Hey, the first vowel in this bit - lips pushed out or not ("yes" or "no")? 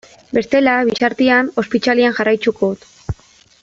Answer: no